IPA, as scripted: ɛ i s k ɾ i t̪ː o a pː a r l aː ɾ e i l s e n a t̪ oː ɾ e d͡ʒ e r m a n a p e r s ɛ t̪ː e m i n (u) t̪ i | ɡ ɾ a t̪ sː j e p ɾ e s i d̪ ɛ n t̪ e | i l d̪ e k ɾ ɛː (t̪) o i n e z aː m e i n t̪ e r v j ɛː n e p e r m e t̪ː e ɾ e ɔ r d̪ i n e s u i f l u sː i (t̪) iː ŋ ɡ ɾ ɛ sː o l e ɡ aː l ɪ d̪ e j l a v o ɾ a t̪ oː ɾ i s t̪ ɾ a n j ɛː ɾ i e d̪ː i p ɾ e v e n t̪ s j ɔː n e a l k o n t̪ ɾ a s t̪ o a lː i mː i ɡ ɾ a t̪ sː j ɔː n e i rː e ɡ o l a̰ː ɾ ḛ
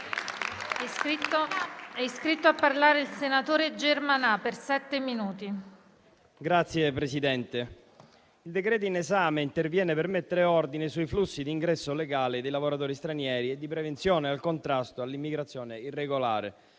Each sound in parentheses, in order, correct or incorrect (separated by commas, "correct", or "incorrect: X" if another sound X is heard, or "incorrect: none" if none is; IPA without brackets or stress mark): incorrect: uː, correct, incorrect: d̪